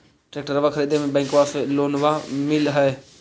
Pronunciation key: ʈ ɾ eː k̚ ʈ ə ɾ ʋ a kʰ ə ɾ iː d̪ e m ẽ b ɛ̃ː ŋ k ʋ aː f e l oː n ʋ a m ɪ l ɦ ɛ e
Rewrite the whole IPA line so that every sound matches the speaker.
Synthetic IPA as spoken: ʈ ɾ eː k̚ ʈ ə ɾ ʋ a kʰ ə ɾ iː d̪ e m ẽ b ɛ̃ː ŋ k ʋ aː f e l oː n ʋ a m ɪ l ɦ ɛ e